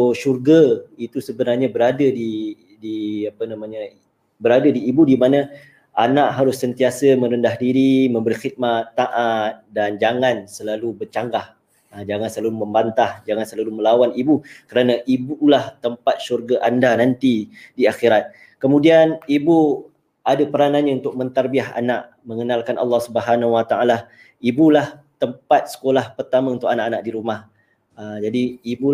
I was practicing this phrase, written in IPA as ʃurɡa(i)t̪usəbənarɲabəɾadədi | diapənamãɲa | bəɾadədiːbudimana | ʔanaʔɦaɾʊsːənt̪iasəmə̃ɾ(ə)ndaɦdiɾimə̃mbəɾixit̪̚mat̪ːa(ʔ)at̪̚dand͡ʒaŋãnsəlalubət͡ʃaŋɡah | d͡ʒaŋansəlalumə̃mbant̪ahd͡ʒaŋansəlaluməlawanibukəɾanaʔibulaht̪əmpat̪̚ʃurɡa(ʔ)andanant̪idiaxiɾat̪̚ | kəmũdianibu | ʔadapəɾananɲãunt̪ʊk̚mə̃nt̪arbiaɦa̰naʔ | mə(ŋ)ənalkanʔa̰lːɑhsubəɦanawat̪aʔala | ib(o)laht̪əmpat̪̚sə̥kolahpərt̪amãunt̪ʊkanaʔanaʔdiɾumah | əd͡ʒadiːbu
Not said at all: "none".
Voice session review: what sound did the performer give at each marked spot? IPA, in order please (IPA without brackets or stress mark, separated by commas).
i, ə, ʔ, ʔ, ŋ, u